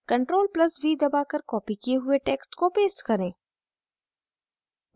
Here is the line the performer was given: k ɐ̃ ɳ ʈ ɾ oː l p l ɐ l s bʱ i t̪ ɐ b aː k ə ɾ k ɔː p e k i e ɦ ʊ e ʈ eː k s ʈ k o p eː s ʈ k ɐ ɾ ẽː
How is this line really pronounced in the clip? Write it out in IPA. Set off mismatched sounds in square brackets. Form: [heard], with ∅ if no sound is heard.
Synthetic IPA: k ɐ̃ ɳ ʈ ɾ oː l p l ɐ [∅] s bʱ i [d̪] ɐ b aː k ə ɾ k ɔː p [i] k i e ɦ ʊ e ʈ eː k s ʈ k o p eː s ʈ k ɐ ɾ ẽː